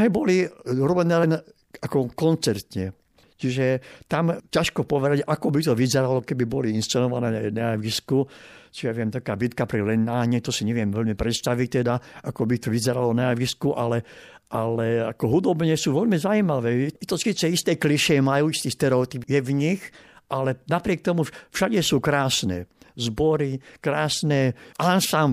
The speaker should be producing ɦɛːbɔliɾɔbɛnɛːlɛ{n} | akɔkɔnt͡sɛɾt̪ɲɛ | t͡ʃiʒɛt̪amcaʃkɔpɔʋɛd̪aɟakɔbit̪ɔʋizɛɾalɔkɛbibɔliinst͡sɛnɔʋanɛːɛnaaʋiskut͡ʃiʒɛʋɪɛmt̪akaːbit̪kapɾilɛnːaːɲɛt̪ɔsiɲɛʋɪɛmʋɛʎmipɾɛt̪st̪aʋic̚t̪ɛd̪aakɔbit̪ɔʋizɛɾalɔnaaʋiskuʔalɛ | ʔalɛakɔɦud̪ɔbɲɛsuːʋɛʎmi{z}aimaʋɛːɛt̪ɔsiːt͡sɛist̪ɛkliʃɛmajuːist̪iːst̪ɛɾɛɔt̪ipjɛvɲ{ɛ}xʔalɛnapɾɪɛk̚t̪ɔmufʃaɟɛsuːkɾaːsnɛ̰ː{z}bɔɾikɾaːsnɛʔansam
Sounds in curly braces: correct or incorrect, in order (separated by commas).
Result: correct, correct, incorrect, correct